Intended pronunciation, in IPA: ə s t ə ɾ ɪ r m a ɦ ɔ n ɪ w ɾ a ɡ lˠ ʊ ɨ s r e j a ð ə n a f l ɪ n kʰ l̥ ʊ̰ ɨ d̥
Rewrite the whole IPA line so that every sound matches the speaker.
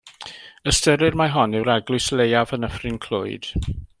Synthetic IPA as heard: ə s t ə ɾ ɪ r m a ɦ ɔ n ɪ w ɾ a ɡ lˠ ʊ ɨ s l e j a v ə n ə f r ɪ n kʰ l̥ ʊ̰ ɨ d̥